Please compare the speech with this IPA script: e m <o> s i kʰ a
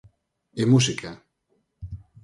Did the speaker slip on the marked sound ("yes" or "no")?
yes